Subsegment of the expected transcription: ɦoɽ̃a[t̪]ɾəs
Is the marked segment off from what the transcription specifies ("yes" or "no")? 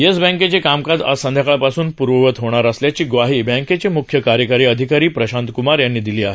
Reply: yes